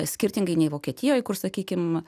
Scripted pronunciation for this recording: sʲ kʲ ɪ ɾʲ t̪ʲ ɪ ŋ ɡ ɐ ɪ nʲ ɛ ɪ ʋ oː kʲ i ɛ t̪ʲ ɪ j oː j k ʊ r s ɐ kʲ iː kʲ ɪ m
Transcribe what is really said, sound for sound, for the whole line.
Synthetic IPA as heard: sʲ kʲ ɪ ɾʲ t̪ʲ ɪ ŋ ɡ ɐ ɪ nʲ ɛ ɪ ʋ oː kʲ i ɛ t̪ʲ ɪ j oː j k ʊ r s ɐ kʲ iː kʲ ɪ m